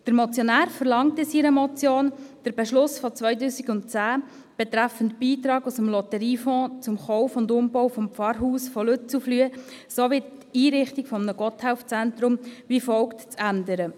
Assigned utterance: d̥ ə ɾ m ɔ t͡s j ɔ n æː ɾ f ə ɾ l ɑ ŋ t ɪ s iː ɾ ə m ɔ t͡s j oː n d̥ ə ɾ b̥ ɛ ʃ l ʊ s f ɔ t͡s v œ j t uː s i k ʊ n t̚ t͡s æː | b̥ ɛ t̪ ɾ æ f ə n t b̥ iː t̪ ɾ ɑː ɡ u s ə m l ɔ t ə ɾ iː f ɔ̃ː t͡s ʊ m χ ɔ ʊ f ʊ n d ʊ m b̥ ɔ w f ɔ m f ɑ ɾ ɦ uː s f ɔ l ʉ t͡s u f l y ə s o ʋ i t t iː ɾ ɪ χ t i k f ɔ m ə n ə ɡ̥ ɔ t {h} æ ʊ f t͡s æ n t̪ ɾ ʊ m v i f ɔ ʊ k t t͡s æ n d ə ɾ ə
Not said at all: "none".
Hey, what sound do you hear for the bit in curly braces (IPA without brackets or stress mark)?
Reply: h